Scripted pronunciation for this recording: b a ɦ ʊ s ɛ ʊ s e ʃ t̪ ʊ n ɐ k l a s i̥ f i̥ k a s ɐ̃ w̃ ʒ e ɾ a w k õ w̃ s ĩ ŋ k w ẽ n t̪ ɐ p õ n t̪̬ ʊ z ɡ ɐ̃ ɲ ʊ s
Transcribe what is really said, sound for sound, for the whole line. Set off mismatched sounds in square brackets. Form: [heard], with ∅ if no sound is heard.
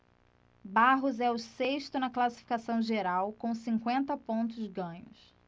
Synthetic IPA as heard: b a ɦ ʊ [z] ɛ ʊ s e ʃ t̪ ʊ n ɐ k l a s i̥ f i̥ k a s ɐ̃ w̃ ʒ e ɾ a w k õ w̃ s ĩ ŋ k w ẽ n t̪ ɐ p õ n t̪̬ ʊ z ɡ ɐ̃ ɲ ʊ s